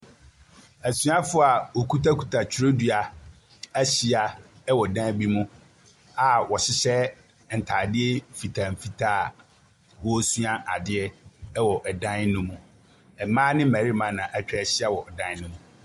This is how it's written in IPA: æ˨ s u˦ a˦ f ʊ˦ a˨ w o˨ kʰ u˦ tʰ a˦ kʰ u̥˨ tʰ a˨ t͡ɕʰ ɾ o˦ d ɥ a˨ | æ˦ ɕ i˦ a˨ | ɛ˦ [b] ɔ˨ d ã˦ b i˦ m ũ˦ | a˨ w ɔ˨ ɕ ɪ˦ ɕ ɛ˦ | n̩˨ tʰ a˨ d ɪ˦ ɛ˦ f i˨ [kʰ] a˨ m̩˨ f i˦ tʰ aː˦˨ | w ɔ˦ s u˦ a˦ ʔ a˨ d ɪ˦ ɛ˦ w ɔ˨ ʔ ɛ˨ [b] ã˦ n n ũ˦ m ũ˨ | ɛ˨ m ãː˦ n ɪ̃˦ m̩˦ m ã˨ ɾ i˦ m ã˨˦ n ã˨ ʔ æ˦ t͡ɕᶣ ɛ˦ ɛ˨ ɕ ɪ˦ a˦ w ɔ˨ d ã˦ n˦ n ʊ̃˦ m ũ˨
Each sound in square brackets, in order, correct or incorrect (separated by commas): incorrect, incorrect, incorrect